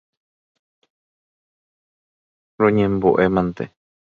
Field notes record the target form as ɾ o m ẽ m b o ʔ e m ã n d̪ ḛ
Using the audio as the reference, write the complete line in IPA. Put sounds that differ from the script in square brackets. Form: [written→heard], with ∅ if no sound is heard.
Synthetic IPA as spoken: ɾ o [m→ɲ] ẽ m b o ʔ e m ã n [d̪→t̪] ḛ